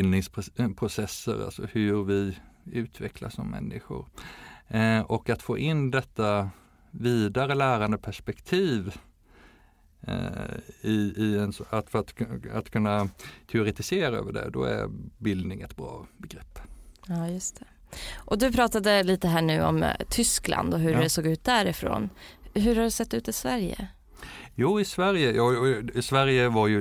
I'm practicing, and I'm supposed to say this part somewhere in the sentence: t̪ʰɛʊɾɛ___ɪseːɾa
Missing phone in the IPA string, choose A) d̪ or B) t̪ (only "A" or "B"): B